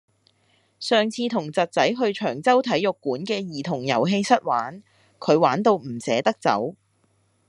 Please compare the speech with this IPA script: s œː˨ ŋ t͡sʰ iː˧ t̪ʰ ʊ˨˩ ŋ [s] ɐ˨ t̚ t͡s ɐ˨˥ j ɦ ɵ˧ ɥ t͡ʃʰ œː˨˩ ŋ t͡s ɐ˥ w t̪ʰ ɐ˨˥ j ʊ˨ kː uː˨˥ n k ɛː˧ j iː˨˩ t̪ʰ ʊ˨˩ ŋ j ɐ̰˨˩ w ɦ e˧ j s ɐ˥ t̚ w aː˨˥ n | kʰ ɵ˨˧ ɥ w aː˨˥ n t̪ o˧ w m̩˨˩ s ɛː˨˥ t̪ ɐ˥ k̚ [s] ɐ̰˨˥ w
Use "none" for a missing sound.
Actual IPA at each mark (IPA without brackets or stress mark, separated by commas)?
t͡s, t͡s